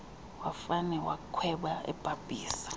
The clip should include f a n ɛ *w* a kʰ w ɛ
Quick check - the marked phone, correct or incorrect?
correct